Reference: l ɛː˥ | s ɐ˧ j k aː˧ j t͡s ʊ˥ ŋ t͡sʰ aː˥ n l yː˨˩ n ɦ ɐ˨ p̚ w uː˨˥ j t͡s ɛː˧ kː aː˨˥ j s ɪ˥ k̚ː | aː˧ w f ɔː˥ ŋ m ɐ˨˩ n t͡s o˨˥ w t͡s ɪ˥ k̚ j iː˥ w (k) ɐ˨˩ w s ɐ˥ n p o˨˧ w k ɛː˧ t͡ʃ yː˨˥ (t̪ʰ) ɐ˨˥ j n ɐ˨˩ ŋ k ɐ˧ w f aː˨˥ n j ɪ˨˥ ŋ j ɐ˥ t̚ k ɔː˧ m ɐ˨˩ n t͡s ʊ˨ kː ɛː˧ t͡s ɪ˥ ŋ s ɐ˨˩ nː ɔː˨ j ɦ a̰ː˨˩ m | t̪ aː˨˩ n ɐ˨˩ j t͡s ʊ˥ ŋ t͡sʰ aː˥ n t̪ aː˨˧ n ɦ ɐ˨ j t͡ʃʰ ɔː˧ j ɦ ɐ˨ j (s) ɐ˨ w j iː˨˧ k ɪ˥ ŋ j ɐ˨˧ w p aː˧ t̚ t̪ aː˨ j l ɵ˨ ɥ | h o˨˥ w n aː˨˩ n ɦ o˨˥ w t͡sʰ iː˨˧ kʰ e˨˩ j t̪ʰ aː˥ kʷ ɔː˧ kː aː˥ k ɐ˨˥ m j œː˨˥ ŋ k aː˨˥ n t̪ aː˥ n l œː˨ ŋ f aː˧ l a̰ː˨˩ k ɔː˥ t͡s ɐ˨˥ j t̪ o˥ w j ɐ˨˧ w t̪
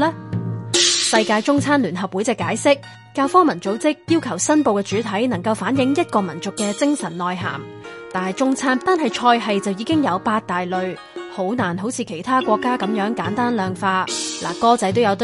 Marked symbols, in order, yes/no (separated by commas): no, yes, no